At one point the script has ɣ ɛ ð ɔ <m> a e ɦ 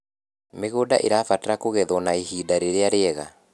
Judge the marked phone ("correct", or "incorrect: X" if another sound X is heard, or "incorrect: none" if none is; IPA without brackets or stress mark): incorrect: n